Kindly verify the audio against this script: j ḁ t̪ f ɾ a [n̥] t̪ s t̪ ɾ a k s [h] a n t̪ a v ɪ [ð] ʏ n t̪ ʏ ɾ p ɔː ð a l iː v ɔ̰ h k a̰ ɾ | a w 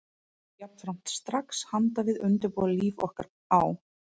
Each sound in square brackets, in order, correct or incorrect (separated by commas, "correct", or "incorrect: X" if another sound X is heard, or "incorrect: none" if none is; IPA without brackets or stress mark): incorrect: m̥, correct, correct